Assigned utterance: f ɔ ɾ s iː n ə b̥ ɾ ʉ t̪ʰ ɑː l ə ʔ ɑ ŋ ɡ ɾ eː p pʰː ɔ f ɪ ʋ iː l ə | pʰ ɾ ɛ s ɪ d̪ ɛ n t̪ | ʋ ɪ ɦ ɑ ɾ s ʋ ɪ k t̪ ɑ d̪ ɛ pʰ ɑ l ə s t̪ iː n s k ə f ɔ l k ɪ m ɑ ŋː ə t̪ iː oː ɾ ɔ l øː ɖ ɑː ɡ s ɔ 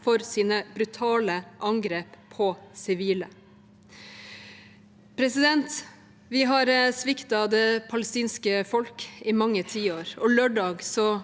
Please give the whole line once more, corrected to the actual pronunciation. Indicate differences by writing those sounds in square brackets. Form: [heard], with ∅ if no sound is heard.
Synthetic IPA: f ɔ ɾ s iː n ə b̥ ɾ ʉ t̪ʰ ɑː l ə ʔ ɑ ŋ ɡ ɾ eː p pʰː ɔ [s] ɪ ʋ iː l ə | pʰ ɾ ɛ s ɪ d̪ ɛ n t̪ | ʋ ɪ ɦ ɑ ɾ s ʋ ɪ k t̪ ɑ d̪ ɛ pʰ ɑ l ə s t̪ iː n s k ə f ɔ l k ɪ m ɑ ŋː ə [t̪ʰ] iː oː ɾ ɔ l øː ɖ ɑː ɡ s ɔ